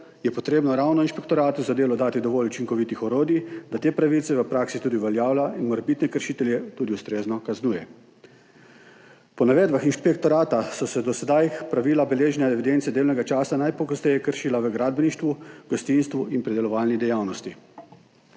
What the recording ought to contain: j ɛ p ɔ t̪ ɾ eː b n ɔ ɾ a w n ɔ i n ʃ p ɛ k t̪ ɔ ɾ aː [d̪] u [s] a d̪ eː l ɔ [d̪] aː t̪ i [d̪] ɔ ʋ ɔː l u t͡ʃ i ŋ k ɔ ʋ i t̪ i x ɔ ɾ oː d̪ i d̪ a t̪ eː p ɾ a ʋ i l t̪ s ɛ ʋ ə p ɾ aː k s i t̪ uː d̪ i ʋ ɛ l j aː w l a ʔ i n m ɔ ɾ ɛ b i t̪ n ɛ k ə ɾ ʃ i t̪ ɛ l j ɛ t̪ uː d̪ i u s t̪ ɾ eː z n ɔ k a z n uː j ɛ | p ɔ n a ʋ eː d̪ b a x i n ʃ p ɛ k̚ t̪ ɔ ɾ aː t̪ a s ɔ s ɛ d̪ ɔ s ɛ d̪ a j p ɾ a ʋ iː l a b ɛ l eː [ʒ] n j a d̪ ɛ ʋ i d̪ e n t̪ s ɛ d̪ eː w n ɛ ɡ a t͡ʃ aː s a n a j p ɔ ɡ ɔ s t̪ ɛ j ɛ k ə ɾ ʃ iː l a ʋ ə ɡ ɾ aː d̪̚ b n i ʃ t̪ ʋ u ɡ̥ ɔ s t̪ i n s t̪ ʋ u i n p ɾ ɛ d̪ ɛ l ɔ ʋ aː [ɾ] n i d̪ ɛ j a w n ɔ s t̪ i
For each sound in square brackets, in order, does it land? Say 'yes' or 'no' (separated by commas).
no, no, yes, yes, yes, no